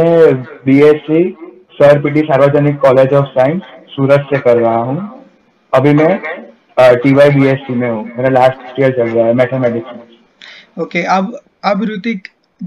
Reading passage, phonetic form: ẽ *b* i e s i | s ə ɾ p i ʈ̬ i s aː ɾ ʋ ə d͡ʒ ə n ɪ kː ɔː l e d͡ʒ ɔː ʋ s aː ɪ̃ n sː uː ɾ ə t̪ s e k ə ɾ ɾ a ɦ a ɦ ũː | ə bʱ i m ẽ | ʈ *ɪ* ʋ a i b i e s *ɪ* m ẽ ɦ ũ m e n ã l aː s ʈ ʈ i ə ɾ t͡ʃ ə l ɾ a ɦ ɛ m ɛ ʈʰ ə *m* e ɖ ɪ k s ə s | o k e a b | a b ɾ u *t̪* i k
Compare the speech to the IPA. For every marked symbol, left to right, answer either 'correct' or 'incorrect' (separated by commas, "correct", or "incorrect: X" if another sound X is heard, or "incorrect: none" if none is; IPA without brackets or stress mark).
correct, incorrect: i, incorrect: i, correct, correct